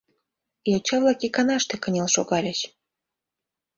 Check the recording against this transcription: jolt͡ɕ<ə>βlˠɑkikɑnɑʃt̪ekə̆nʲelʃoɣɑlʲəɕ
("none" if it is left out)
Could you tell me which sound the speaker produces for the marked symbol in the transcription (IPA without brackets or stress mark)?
ɑ